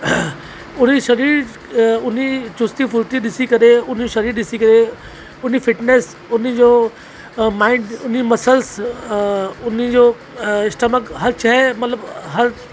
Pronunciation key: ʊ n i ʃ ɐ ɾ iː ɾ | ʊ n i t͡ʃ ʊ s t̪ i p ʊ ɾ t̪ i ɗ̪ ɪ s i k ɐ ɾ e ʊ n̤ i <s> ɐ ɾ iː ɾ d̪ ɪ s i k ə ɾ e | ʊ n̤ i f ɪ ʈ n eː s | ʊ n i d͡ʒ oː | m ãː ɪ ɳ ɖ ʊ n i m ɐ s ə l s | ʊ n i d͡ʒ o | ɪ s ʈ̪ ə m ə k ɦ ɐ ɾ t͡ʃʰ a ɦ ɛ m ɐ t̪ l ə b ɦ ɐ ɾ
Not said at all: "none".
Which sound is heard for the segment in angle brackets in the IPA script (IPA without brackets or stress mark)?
ʃ